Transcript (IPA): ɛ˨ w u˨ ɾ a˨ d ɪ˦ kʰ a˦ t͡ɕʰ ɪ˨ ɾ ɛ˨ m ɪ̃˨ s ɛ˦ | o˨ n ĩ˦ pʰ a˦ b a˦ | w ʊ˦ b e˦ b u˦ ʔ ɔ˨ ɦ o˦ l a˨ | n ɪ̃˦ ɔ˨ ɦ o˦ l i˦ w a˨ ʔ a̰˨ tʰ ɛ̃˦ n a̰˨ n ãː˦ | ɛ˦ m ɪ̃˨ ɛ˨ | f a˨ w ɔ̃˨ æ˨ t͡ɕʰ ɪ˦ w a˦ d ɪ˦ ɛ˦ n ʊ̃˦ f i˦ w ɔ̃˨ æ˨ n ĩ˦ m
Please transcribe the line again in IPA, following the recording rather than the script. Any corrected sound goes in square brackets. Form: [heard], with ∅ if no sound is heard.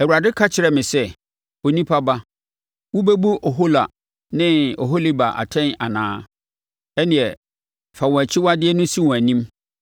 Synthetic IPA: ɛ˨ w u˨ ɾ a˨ d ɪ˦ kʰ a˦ t͡ɕʰ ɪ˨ ɾ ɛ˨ m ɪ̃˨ s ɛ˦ | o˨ n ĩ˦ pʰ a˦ b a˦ | w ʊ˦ b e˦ b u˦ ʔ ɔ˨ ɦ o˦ l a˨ | n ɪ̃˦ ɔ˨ ɦ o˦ l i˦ [b] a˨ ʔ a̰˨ tʰ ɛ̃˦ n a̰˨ n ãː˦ | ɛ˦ [n] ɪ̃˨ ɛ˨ | f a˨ w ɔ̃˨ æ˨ t͡ɕʰ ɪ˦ w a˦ d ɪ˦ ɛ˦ n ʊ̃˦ [s] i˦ w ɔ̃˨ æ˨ n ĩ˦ m